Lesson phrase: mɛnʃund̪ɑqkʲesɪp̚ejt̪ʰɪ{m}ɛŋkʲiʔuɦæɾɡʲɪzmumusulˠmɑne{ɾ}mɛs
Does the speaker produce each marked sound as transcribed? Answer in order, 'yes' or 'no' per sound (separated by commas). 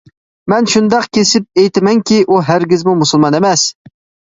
yes, no